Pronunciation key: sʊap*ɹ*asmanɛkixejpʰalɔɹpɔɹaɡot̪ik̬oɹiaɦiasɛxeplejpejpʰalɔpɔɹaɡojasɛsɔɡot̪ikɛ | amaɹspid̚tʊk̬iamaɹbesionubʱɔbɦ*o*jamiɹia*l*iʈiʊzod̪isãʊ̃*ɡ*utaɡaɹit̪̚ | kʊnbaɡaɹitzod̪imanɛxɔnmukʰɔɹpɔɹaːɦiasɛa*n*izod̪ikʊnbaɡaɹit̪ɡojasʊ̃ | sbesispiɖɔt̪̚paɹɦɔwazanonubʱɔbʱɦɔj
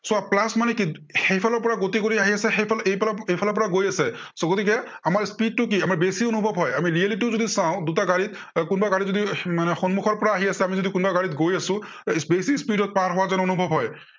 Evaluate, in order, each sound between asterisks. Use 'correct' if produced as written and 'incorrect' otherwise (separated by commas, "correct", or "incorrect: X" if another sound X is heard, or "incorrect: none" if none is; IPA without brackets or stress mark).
incorrect: l, incorrect: ɔ, correct, incorrect: d, incorrect: m